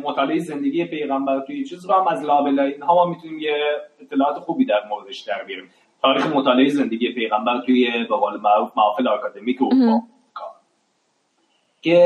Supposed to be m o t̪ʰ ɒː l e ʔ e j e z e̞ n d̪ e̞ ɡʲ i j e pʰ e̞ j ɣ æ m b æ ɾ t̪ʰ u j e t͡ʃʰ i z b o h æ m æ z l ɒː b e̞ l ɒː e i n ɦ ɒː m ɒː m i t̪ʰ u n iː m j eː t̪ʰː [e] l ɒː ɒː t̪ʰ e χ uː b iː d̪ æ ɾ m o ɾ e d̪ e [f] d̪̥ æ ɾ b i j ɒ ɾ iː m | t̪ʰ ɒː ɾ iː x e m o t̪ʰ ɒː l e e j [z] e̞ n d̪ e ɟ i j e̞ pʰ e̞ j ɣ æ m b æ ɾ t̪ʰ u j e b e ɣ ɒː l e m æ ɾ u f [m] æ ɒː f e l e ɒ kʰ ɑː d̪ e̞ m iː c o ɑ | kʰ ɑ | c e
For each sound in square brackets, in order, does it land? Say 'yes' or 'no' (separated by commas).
yes, no, yes, yes